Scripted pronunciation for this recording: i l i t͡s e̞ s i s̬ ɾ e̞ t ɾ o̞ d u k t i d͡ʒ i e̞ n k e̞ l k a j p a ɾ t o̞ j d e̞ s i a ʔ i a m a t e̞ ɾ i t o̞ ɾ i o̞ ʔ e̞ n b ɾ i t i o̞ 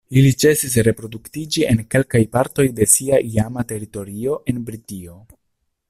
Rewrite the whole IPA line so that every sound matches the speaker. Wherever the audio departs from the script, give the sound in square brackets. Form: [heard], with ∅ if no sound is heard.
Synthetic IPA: i l i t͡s e̞ s i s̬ ɾ e̞ [p] ɾ o̞ d u k t i d͡ʒ i e̞ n k e̞ l k a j p a ɾ t o̞ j d e̞ s i a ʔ i a m a t e̞ ɾ i t o̞ ɾ i o̞ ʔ e̞ n b ɾ i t i o̞